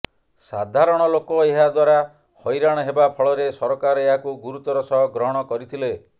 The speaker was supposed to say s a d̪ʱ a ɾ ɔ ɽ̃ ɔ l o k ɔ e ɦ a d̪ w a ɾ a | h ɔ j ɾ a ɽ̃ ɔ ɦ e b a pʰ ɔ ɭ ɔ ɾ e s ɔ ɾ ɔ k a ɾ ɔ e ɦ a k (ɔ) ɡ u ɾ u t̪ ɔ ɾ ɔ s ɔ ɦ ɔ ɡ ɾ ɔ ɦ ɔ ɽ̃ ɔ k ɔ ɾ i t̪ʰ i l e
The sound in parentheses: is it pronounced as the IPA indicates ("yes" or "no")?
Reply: no